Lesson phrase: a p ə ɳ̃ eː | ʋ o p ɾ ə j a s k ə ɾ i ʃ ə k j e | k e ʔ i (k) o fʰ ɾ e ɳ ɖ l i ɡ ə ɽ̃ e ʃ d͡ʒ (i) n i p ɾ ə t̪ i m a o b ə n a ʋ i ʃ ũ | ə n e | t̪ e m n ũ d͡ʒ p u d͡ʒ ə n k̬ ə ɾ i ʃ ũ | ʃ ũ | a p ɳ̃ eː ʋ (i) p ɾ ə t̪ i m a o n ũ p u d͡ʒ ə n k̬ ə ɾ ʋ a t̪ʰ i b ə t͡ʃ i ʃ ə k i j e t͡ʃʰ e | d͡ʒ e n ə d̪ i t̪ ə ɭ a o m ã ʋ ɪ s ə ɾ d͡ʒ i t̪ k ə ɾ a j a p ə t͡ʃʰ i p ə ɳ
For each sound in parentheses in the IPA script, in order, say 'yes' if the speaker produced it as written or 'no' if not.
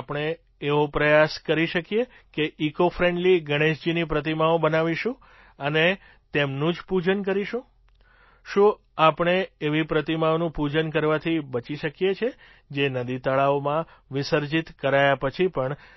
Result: yes, yes, yes

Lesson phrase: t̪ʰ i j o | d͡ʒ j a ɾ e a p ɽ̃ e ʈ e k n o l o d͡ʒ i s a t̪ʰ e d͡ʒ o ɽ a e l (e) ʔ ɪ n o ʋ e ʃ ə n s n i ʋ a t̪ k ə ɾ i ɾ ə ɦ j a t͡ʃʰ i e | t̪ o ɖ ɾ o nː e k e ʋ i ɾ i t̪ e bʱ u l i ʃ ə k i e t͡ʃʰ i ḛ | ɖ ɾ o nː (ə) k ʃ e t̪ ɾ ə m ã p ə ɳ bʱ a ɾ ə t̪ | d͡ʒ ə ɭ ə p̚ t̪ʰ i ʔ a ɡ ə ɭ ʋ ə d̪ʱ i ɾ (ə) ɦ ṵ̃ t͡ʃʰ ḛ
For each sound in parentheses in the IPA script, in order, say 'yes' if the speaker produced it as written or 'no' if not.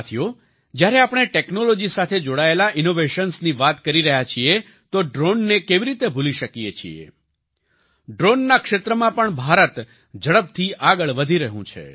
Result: no, no, yes

